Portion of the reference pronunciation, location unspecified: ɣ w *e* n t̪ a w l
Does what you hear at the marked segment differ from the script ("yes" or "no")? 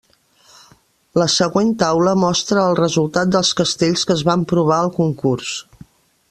no